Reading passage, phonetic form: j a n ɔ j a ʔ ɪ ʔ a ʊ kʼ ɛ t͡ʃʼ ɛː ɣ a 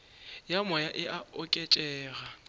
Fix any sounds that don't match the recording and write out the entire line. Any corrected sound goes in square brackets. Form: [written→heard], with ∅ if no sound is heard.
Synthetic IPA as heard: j a [n→m] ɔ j a ʔ ɪ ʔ a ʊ kʼ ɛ t͡ʃʼ ɛː ɣ a